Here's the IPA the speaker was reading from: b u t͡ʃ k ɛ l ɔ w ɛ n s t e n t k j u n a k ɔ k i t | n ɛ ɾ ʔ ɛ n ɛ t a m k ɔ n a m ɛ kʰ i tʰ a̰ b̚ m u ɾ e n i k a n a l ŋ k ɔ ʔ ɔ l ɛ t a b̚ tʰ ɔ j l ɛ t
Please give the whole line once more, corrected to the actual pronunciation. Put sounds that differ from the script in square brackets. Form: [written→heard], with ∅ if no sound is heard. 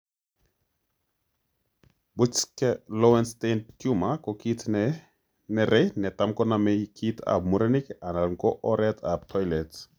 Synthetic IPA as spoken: b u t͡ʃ k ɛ l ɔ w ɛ n s t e n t k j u [n→m] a k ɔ k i t | n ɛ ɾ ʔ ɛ n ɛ t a m k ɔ n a m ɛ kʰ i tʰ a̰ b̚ m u ɾ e n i k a n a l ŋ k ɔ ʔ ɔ [l→ɾ] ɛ t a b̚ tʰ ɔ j l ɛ t